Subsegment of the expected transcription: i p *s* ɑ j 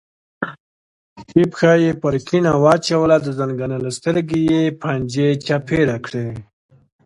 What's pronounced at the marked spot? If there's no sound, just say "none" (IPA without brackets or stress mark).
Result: x